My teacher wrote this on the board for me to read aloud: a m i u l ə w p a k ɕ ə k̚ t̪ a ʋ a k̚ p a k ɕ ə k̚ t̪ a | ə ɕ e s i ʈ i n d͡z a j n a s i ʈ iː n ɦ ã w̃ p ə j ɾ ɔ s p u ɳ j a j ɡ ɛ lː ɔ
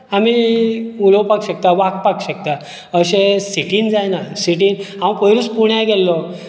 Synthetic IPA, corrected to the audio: a m i u l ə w p a k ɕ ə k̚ t̪ a ʋ a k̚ p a k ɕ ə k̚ t̪ a | ə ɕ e s i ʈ i n d͡z a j n a s i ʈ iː n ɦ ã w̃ p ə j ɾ u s p u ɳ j a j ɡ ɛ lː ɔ